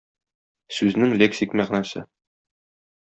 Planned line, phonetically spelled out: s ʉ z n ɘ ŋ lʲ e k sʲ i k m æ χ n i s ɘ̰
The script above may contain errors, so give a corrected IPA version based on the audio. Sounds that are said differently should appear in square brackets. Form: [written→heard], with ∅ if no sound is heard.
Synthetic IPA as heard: s ʉ z n ɘ ŋ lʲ e k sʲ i k m æ [χ→ʁ] n [i→æ] s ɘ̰